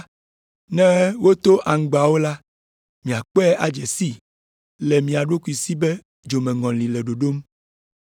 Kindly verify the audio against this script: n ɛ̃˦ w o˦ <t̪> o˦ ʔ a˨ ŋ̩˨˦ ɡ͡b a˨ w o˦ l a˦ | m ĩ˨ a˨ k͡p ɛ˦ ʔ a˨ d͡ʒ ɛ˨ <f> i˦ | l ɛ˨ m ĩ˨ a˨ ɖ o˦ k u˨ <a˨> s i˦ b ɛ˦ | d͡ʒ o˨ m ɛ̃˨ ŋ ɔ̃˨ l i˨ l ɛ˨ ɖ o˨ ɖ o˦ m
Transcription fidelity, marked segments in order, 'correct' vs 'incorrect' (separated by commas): correct, incorrect, incorrect